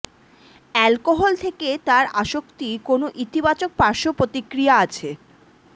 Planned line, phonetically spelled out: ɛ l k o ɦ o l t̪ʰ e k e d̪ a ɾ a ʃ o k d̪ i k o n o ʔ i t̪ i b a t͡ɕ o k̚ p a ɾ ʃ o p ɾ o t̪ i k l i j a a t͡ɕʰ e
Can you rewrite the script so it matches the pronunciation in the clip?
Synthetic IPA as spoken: ɛ l k o ɦ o l t̪ʰ e k e t̪ a ɾ a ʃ o k t̪ i k o n o ʔ i t̪ i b a t͡ɕ o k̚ p a ɾ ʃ o p ɾ o t̪ i k ɾ i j a a t͡ɕʰ e